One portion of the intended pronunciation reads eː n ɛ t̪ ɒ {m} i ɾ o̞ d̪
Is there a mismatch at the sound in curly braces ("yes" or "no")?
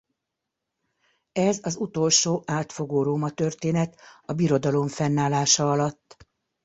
yes